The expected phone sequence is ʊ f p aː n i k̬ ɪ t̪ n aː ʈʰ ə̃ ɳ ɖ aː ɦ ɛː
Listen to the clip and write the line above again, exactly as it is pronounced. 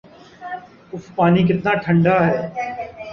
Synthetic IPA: ʊ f p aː n i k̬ ɪ t̪ n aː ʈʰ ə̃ ɳ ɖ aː ɦ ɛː